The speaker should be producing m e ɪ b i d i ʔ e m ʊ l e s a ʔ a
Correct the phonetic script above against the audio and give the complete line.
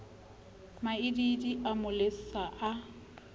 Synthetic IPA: m a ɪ d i d i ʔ a m ʊ l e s a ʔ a